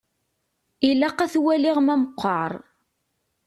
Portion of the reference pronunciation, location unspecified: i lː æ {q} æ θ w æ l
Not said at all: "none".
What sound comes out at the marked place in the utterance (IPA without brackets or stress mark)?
q